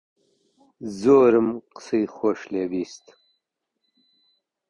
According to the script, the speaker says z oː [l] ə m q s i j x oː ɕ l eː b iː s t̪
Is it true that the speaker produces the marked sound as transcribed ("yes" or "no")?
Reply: no